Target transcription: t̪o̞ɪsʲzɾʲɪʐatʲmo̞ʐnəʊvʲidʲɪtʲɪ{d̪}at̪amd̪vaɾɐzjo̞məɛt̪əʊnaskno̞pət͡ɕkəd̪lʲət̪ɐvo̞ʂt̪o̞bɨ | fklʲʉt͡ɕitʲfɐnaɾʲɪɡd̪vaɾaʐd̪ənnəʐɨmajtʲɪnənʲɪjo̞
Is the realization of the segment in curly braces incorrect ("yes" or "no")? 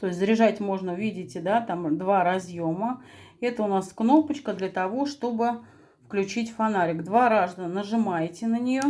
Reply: no